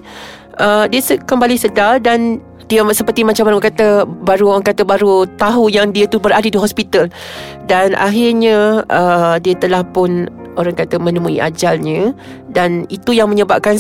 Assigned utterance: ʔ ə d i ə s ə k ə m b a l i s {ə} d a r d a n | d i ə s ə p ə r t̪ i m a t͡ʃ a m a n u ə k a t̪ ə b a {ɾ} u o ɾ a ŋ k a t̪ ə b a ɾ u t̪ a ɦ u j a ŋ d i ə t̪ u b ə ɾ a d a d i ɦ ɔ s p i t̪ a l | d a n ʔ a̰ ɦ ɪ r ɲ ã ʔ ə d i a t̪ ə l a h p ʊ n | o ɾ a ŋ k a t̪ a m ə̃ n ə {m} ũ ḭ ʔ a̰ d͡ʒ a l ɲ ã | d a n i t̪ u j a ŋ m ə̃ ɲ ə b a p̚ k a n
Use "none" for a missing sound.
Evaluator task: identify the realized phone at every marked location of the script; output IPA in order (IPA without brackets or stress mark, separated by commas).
ə, ɾ, m